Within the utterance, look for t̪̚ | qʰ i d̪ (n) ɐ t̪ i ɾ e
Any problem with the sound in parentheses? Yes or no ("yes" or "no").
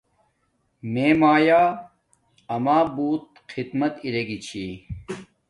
yes